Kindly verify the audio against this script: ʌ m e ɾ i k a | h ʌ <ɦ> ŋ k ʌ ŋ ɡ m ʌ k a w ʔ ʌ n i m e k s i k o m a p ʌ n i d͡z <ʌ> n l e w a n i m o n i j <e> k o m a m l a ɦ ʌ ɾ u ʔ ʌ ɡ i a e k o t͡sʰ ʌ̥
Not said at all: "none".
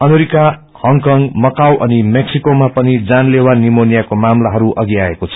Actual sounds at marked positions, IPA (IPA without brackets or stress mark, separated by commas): none, a, a